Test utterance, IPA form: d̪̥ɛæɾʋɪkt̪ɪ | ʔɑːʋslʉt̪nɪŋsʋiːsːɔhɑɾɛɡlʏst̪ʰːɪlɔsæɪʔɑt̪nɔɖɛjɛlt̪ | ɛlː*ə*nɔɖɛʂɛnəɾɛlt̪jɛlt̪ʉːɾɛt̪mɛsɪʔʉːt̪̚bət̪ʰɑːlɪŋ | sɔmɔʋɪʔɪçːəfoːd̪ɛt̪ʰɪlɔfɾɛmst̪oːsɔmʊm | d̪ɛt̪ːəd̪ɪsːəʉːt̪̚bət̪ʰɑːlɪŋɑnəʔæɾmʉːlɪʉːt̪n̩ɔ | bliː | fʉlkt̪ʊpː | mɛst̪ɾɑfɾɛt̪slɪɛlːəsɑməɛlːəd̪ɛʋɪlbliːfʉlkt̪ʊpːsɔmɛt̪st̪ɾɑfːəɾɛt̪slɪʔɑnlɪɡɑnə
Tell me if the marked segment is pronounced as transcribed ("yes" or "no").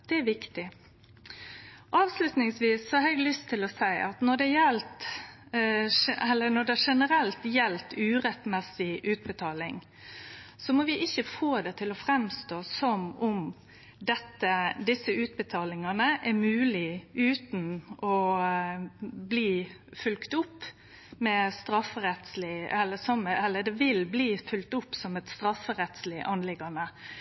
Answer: yes